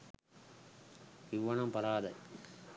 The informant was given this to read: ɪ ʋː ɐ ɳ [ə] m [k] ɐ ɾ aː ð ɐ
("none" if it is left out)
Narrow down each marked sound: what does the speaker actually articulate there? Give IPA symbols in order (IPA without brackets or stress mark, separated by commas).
ɐ, p